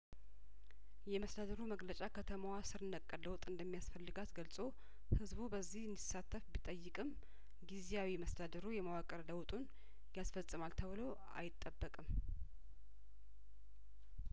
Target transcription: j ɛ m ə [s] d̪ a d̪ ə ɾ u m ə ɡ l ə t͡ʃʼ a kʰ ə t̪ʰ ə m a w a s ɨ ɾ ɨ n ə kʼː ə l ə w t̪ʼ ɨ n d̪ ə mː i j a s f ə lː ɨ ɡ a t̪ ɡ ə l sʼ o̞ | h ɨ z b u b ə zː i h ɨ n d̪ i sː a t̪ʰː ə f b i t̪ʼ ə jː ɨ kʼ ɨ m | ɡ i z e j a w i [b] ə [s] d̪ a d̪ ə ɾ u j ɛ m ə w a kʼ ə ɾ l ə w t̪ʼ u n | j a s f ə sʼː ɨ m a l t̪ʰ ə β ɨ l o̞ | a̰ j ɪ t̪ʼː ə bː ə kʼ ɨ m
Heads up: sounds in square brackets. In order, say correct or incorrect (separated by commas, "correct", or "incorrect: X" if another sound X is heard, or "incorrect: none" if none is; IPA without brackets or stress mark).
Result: correct, incorrect: m, correct